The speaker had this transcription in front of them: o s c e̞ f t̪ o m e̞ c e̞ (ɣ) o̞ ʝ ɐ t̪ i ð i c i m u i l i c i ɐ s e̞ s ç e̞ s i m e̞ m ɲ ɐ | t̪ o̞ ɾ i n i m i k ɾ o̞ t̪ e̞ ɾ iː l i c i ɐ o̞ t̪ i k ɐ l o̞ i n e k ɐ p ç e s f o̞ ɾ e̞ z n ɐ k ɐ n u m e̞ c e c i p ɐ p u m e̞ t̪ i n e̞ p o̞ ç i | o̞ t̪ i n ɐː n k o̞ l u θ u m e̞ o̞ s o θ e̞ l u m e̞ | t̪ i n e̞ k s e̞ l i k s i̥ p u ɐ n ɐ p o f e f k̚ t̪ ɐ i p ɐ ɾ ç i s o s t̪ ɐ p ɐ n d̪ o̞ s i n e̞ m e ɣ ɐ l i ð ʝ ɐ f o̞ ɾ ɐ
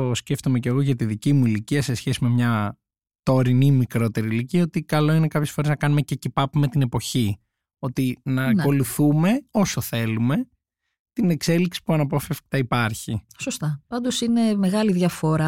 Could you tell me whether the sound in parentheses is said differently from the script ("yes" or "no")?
no